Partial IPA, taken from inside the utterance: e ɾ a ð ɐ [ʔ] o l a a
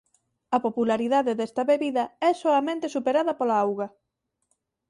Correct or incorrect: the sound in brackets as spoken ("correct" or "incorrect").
incorrect